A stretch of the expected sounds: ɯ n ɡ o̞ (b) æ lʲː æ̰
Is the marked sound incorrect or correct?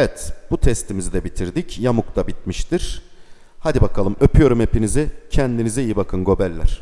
correct